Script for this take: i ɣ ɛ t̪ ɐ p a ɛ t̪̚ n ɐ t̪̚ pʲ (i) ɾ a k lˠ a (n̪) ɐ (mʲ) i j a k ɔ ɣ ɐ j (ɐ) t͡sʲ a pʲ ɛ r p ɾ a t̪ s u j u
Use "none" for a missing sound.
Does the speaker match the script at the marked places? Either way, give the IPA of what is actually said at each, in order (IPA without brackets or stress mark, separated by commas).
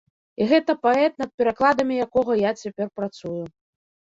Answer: ɛ, d̪, mʲ, a